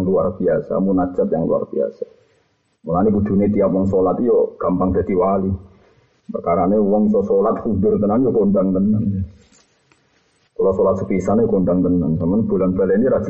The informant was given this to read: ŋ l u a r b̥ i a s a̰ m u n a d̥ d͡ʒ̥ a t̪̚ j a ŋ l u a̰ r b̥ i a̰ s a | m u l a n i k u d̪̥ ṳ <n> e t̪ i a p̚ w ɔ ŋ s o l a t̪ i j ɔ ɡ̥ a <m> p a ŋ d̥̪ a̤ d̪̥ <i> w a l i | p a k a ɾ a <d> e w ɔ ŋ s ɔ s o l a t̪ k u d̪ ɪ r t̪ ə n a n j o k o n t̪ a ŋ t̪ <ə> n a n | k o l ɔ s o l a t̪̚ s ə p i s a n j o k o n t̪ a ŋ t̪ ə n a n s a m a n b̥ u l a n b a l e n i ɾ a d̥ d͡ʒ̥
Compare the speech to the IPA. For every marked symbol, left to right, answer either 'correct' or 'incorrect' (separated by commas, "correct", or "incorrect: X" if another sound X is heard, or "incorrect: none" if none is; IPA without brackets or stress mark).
correct, correct, correct, incorrect: n, correct